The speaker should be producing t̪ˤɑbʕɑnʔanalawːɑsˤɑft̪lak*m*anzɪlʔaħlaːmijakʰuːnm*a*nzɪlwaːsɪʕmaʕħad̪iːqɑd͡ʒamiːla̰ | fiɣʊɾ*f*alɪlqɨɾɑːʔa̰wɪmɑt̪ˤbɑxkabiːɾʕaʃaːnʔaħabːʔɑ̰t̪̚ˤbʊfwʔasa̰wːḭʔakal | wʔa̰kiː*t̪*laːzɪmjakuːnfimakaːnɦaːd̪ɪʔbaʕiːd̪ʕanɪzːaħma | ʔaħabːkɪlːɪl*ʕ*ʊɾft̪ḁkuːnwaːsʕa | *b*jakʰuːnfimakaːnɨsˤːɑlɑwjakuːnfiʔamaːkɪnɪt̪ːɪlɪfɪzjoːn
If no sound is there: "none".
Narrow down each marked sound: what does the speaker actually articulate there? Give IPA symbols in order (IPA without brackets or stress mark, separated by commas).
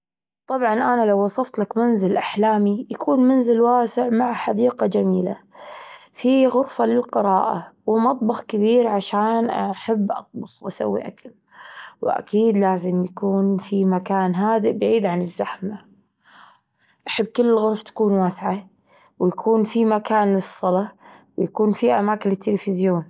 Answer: m, a, f, d̪, ɣ, w